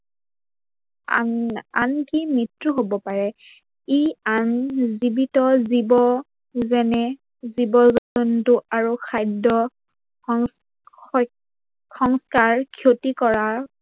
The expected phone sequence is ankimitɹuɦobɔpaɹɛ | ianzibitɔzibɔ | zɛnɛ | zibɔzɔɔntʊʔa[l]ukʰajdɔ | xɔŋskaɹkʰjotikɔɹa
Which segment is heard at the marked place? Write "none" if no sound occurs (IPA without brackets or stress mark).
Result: ɹ